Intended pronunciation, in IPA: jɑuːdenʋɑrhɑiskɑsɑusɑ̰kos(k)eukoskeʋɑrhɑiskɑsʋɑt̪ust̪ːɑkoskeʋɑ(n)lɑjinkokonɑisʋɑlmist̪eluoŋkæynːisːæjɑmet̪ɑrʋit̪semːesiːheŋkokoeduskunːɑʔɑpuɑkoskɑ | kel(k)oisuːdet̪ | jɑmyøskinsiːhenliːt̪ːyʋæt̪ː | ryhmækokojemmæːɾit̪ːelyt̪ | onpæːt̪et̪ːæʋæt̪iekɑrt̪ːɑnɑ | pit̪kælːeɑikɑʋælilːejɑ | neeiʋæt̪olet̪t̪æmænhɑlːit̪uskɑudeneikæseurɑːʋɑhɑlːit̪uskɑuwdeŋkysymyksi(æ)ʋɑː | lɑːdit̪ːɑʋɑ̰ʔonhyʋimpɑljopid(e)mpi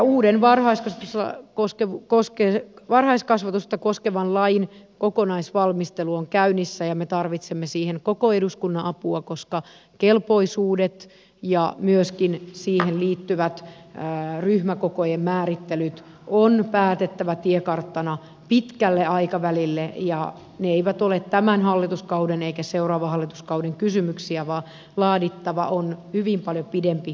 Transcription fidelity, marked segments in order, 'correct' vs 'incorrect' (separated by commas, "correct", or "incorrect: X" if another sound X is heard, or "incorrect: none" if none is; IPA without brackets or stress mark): correct, correct, incorrect: p, correct, correct